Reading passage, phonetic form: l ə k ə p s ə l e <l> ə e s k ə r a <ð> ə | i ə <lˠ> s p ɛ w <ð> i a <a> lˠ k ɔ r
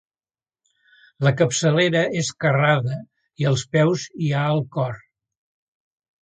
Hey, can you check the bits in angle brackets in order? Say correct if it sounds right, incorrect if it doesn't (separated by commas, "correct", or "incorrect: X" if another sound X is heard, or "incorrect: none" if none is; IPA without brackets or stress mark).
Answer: incorrect: ɾ, correct, correct, incorrect: z, incorrect: ə